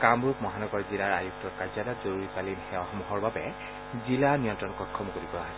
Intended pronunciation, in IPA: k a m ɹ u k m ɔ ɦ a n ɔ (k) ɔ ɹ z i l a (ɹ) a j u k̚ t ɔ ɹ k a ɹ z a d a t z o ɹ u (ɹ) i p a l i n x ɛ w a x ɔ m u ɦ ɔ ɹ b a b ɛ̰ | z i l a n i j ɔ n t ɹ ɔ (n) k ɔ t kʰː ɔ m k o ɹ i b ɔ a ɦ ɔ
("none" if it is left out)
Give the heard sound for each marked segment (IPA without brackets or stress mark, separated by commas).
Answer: ɡ, ɹ, ɹ, n